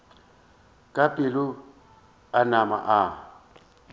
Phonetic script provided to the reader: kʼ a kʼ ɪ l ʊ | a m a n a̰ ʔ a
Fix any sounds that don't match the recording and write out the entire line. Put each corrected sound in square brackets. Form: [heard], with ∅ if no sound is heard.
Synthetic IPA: kʼ a [pʼ] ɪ l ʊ | a [n] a [m] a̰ ʔ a